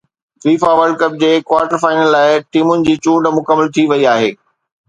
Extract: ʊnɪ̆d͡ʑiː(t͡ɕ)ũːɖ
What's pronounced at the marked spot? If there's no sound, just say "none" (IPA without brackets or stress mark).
t͡ɕ